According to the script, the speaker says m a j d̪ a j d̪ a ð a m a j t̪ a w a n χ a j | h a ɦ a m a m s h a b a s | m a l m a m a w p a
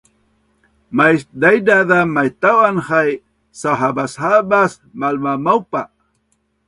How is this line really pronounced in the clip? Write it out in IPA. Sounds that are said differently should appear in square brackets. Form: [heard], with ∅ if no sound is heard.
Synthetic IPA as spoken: m a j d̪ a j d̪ a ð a m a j t̪ a w a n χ a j | [s] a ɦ a [b] a [∅] s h a b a s | m a l m a m a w p a